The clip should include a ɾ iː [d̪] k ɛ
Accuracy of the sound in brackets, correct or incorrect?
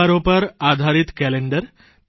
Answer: incorrect